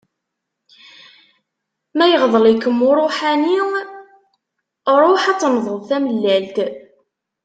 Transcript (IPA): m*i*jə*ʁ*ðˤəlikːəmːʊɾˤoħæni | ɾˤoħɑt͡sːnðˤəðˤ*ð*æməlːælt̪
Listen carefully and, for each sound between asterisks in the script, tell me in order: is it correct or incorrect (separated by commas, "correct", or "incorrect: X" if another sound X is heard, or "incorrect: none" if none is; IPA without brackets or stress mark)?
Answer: incorrect: æ, correct, incorrect: θ